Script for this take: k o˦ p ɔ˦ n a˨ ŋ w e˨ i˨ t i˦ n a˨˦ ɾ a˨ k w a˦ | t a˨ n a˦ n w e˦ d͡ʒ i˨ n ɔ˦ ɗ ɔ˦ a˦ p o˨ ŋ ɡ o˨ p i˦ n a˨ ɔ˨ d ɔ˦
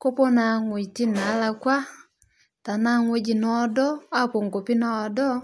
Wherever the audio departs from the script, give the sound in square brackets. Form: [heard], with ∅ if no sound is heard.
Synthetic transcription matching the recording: k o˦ p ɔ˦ n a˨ ŋ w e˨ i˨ t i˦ n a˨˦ [l] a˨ k w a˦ | t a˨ n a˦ [ŋ] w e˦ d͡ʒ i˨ n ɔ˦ [d] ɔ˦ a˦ p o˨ ŋ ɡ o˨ p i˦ n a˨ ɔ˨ d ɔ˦